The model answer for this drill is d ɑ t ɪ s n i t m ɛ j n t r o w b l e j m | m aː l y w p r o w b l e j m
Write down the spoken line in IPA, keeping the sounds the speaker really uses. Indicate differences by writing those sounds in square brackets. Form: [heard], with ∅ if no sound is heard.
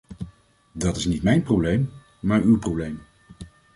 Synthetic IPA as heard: d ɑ t ɪ s n i t m ɛ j n [p] r o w b l e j m | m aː [ɹ] y w p r o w b l e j m